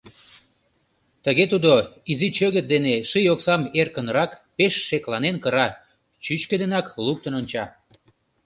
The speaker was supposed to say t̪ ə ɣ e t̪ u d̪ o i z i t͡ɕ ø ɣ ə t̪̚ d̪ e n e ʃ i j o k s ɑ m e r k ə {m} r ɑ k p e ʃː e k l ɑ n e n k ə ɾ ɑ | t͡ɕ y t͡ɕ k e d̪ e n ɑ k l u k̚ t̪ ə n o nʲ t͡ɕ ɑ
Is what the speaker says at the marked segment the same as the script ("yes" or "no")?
no